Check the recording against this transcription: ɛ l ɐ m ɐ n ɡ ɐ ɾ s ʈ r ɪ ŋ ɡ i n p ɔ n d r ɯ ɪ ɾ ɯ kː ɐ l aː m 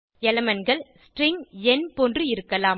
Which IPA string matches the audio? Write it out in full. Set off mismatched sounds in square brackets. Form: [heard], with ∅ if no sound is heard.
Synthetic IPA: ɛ l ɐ m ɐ n ɡ ɐ [ɭ] s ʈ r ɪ ŋ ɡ [ɛ] n p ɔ n d r ɯ ɪ ɾ ɯ kː ɐ l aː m